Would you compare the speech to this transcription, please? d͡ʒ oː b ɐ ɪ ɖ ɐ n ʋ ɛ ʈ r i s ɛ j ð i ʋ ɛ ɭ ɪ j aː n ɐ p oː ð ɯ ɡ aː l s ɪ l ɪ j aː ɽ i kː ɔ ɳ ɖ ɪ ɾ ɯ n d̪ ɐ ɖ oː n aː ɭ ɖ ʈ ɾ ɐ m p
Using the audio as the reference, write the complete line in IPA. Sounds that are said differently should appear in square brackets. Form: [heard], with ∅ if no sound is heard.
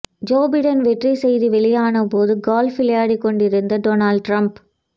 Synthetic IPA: d͡ʒ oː b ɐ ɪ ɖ ɐ n ʋ ɛ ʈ r i s ɛ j ð i ʋ ɛ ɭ ɪ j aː n ɐ p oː ð ɯ ɡ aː l [f] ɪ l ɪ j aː ɽ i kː ɔ ɳ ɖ ɪ ɾ ɯ n d̪ ɐ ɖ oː n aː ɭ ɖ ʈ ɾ ɐ m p